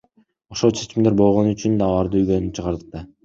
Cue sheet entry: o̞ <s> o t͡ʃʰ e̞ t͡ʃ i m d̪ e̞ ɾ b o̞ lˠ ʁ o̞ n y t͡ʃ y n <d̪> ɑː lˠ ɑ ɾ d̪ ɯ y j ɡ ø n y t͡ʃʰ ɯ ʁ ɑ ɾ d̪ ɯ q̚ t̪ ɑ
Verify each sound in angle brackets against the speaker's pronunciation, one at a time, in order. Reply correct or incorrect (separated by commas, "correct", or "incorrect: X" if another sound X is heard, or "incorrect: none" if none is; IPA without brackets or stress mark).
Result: incorrect: ʃ, correct